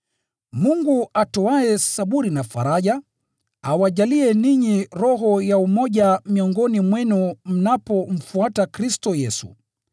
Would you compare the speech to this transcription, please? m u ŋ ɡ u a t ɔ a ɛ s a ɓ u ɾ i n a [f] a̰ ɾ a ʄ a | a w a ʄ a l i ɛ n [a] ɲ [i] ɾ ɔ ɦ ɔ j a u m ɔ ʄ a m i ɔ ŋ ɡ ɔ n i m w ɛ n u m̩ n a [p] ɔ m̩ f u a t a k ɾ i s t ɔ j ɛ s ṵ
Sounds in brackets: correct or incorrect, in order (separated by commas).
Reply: correct, incorrect, correct, correct